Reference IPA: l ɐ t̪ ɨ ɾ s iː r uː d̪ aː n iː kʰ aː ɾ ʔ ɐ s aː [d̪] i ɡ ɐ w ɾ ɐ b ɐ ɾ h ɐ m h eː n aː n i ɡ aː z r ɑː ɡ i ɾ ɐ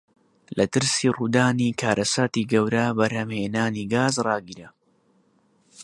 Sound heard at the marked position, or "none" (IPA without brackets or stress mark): t̪